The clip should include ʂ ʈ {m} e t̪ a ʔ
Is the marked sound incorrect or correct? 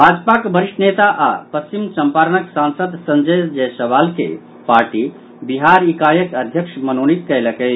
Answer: incorrect